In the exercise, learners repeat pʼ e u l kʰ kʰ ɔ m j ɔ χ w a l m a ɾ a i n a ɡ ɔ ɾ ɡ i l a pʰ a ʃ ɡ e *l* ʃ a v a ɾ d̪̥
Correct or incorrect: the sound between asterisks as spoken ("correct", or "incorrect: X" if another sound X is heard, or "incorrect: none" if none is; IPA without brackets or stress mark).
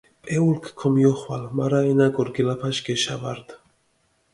incorrect: none